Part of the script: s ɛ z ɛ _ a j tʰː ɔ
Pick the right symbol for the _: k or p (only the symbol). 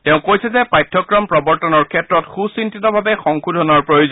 p